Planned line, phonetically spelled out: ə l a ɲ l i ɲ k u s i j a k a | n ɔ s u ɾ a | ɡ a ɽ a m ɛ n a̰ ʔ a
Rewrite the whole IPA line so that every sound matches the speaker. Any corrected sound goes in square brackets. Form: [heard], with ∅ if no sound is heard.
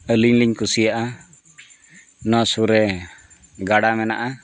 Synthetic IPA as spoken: ə l [i] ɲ l i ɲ k u s i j a [ʔ] a | n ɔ s u ɾ [ɛ] | ɡ a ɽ a m ɛ n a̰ ʔ a